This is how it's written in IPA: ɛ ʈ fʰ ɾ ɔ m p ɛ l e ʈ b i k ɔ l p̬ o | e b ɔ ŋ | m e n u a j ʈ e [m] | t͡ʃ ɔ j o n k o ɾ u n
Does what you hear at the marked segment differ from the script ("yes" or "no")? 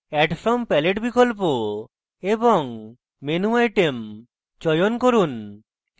no